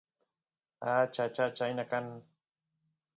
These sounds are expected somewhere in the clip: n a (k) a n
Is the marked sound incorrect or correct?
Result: correct